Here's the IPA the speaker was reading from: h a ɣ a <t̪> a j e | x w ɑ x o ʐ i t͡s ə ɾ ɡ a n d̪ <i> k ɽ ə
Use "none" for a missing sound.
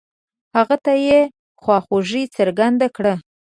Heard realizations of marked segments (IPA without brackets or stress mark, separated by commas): t̪, a